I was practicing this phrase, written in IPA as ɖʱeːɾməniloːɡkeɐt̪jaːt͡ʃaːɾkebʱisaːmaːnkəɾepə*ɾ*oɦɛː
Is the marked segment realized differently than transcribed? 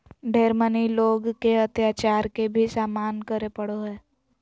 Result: yes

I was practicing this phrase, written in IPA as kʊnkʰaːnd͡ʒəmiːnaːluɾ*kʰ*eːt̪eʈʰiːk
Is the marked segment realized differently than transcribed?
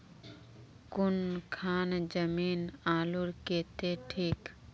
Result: yes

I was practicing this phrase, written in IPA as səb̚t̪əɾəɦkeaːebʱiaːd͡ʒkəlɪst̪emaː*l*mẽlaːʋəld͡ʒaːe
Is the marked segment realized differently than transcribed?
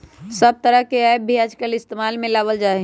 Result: no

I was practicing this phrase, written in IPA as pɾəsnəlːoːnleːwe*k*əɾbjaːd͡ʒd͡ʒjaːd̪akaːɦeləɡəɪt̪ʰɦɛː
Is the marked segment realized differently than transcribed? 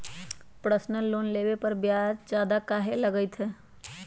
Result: yes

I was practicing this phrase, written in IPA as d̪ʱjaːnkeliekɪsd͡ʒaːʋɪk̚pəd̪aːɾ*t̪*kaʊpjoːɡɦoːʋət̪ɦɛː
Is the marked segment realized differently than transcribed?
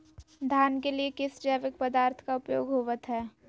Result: yes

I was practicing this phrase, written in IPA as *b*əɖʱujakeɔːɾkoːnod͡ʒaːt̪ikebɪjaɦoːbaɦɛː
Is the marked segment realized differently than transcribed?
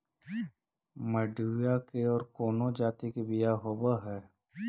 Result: yes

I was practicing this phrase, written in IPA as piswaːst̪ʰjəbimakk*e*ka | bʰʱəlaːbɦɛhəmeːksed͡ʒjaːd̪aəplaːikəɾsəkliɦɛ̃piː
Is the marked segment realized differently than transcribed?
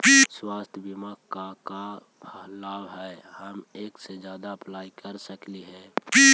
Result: yes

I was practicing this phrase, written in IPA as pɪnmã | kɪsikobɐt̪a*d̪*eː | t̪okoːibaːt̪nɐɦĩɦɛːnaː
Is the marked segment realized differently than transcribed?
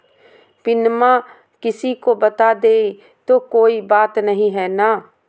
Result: no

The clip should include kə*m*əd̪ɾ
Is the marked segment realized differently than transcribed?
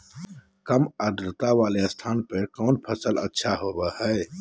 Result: no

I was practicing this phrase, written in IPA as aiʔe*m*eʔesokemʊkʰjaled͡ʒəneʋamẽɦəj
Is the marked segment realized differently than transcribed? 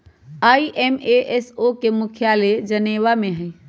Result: no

